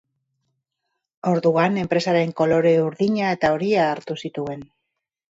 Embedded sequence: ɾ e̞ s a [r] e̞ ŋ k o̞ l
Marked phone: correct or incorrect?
incorrect